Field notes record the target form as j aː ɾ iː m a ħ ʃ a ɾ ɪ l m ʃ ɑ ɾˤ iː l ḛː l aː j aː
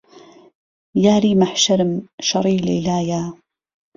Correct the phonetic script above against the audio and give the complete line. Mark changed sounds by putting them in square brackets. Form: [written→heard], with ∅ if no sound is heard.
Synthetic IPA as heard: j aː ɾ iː m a ħ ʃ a ɾ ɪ [l→∅] m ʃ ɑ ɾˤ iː l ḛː l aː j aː